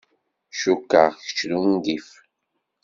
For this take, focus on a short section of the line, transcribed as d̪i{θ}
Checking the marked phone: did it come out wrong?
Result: yes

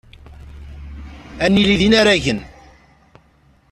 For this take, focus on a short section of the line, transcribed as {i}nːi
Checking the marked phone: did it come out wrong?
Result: yes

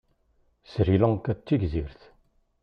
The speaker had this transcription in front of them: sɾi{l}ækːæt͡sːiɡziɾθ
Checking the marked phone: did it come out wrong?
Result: no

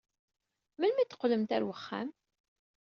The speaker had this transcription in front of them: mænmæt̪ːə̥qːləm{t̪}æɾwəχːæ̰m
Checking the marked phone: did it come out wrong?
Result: no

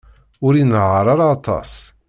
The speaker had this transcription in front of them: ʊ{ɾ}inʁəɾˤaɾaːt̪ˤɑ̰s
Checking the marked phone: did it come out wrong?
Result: no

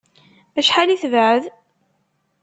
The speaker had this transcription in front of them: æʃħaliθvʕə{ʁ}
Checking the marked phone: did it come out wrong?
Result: yes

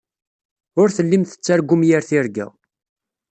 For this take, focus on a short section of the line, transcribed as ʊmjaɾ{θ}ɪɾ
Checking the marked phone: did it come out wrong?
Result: no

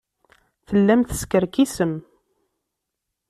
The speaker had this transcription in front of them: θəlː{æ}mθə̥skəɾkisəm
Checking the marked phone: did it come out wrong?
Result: no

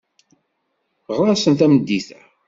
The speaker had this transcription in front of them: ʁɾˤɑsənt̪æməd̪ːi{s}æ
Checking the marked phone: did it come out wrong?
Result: yes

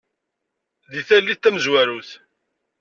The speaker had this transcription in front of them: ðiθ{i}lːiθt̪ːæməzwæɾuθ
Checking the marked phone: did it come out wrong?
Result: yes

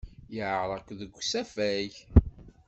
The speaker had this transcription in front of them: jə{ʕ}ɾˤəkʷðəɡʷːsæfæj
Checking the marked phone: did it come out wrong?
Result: no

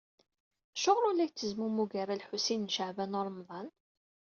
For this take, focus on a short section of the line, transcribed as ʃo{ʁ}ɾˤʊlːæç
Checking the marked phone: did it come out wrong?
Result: no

